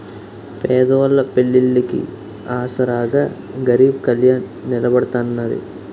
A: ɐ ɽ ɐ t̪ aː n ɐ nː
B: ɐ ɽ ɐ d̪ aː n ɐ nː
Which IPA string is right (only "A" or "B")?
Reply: A